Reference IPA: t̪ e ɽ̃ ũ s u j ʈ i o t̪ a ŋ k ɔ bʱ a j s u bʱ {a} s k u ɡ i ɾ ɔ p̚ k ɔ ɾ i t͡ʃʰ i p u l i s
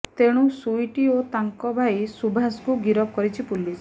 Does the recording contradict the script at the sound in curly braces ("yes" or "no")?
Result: no